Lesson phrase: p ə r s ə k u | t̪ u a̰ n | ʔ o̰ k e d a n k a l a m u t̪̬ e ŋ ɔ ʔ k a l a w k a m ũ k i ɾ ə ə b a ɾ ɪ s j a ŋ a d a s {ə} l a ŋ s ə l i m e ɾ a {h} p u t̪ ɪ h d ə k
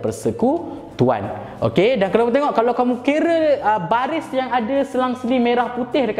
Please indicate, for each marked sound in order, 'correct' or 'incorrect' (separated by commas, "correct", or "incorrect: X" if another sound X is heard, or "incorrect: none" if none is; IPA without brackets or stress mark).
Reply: correct, correct